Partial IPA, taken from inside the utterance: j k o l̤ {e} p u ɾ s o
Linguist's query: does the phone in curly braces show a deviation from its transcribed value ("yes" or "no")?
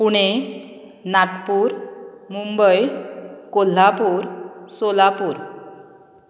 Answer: yes